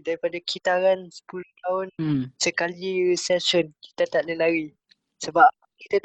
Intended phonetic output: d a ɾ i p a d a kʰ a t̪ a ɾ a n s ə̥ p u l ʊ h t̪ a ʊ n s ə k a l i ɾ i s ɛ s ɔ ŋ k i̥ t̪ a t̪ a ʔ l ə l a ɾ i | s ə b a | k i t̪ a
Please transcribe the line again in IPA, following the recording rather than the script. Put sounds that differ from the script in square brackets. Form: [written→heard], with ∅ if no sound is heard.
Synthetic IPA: d a ɾ i p a d a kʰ [a→i] t̪ a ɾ a n s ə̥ p u l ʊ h t̪ a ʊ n s ə k a l i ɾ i s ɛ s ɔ [ŋ→n] k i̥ t̪ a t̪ a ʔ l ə l a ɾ i | s ə b a | k i t̪ a